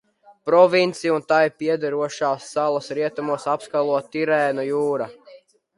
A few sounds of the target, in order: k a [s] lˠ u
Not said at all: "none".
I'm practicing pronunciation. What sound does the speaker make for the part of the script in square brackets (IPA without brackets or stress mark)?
none